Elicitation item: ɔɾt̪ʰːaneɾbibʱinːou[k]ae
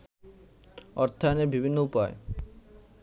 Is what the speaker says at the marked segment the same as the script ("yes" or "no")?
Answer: no